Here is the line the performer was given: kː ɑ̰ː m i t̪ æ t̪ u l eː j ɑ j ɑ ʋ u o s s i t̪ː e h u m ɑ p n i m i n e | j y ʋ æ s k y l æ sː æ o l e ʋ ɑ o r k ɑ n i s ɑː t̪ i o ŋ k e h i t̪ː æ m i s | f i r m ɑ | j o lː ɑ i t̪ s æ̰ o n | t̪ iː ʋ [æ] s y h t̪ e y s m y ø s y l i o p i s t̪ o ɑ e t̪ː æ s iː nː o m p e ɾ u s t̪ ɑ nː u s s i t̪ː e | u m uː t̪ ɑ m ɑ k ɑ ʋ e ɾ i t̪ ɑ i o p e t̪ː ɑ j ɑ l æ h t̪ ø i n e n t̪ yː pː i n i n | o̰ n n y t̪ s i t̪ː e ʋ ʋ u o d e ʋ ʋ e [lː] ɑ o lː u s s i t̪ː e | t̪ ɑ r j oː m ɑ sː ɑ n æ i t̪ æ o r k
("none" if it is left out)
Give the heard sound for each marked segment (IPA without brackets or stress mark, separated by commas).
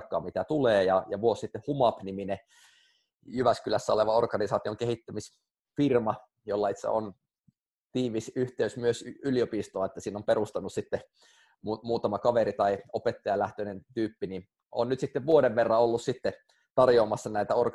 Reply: i, rː